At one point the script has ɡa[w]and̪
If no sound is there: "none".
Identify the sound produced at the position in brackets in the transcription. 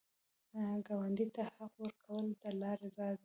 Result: w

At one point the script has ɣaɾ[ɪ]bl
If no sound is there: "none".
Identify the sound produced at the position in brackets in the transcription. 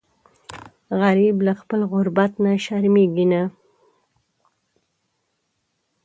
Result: i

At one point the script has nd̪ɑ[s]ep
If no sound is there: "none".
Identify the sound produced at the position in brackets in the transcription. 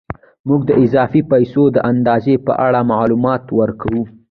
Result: z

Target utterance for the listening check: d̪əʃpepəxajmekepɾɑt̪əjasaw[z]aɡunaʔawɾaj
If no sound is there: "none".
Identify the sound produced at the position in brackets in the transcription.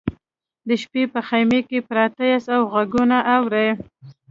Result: ɣ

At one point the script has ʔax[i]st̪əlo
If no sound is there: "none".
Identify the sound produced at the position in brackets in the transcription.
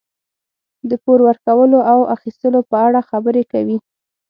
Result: i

